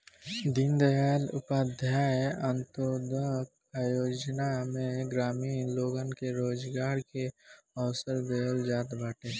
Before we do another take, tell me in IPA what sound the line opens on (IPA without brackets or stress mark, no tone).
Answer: d̪